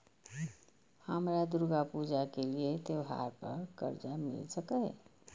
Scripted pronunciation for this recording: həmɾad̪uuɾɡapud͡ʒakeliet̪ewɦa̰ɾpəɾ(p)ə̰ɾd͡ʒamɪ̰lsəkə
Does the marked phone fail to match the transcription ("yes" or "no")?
yes